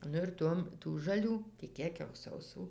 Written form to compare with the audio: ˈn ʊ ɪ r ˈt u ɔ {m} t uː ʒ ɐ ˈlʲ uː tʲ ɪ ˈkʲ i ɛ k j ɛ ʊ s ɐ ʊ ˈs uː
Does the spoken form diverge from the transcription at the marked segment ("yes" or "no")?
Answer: no